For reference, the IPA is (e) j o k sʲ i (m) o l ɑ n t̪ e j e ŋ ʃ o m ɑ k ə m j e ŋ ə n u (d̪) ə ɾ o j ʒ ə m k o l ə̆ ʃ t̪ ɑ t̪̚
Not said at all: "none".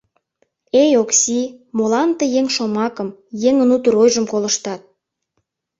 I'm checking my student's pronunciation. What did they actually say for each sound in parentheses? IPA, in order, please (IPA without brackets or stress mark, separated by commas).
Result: e, m, t̪